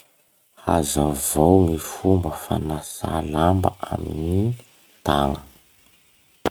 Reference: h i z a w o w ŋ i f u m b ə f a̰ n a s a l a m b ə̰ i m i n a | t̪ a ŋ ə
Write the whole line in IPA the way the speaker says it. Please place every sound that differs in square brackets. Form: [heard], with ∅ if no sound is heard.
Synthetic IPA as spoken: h [a] z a [v] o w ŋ i f u m b ə f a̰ n a s a l a m b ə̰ [a] m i n [i] | t̪ a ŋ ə

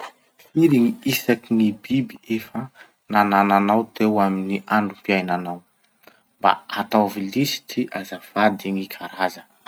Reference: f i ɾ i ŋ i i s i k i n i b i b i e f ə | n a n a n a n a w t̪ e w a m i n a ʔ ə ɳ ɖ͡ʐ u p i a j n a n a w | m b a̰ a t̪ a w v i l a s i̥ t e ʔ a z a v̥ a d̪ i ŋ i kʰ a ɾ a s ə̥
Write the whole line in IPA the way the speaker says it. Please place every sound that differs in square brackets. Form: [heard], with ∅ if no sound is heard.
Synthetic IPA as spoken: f i ɾ i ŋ i i s [a] k i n i b i b i e f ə | n a n a n a n a w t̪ e w a m i n [i] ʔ [a] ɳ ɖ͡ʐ u p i a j n a n a w | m b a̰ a t̪ a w v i l [i] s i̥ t [i] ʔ a z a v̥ a d̪ i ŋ i kʰ a ɾ a [z] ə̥

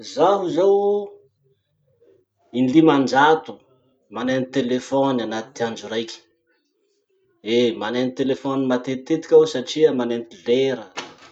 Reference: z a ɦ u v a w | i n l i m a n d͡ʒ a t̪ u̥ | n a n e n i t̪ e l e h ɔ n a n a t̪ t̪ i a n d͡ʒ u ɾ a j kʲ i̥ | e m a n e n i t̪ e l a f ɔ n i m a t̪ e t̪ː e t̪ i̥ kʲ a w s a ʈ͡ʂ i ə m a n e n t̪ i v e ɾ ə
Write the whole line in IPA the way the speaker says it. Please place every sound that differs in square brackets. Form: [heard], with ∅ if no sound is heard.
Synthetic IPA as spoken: z a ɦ u [z] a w | i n l i m a n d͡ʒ a t̪ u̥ | [m] a n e n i t̪ e l e [f] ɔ n a n a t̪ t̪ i a n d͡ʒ u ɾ a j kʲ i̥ | e m a n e n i t̪ e l [e] f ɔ n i m a t̪ e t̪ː e t̪ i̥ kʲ a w s a ʈ͡ʂ i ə m a n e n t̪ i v e ɾ ə

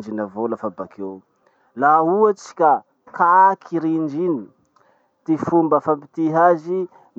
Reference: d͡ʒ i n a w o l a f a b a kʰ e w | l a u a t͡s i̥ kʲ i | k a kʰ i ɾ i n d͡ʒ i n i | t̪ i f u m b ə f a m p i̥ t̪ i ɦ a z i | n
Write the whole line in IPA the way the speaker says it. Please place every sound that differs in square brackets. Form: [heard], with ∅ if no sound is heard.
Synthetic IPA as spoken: d͡ʒ i n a [v] o l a f a b a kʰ e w | l a u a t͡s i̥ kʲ [a] | k a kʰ i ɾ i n d͡ʒ i n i | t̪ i f u m b ə f a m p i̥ t̪ i ɦ a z i | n

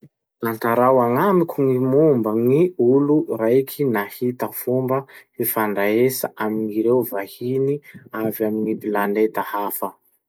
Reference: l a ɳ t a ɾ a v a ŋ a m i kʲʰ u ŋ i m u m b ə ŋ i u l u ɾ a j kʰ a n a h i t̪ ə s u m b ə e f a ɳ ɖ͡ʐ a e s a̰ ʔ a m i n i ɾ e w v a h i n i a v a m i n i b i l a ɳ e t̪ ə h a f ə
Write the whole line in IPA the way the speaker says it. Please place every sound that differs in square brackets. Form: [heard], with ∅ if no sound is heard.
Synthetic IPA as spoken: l a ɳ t a ɾ a [w] a ŋ a m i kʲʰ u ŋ i m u m b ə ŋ i u l u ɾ a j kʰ [i] n a h i t̪ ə [f] u m b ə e f a ɳ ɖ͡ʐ a e s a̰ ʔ a m i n i ɾ e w v a h i n i a v a m i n i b i l a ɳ e t̪ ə h a f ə

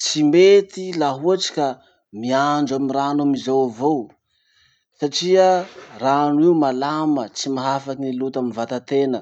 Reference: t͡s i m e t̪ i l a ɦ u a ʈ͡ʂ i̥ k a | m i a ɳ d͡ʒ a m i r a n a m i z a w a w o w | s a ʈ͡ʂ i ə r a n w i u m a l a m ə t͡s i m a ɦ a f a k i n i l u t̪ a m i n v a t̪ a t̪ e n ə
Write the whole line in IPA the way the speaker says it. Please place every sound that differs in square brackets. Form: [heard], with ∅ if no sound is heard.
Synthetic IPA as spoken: t͡s i m e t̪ i l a ɦ u a ʈ͡ʂ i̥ k a | m i a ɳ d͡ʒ a m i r a n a m i z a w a [v] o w | s a ʈ͡ʂ i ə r a n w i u m a l a m ə t͡s i m a ɦ a f a k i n i l u t̪ a m i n v a t̪ a t̪ e n ə

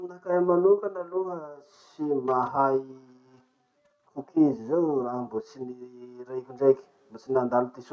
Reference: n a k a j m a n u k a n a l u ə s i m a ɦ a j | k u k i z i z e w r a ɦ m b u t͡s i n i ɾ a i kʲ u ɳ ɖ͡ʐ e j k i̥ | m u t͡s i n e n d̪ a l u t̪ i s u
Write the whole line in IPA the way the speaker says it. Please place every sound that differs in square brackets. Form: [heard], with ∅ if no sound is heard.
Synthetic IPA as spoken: n a k a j m a n u k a n a l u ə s i m a ɦ a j | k u k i z i z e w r a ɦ m b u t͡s i n i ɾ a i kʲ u ɳ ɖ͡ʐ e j k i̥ | m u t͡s i n [a] n d̪ a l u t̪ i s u

